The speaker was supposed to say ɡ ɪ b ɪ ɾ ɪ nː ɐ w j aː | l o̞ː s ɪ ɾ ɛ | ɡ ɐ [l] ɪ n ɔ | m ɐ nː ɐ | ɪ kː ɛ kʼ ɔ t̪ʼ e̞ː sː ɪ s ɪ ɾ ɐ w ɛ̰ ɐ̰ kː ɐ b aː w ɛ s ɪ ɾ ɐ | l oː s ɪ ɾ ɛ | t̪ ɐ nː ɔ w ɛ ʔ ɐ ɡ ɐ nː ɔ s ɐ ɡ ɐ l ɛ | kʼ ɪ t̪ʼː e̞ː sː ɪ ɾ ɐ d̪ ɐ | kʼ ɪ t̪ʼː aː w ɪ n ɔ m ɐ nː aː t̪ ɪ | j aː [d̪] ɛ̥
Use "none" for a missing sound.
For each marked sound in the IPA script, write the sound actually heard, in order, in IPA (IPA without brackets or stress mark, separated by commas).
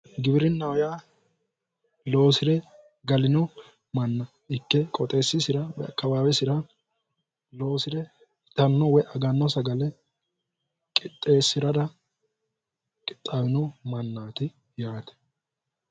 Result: l, t̪